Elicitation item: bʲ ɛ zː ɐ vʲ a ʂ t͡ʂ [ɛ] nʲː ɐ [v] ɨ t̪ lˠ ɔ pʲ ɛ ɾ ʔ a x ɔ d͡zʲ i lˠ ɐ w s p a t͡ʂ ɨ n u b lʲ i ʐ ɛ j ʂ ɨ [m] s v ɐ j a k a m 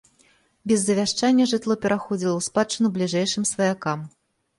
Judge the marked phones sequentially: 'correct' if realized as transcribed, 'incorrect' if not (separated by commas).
incorrect, incorrect, correct